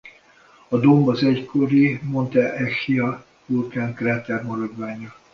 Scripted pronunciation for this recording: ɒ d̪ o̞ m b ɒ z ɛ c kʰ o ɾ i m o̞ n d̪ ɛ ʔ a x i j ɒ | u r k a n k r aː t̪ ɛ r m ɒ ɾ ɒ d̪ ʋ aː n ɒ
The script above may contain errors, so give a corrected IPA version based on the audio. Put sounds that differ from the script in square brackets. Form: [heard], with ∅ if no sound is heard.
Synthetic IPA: ɒ d̪ o̞ m b ɒ z ɛ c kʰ o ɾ i m o̞ n [t̪] ɛ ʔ [ɛ] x i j ɒ | u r k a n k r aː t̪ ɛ r m ɒ ɾ ɒ d̪ ʋ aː [ɲ] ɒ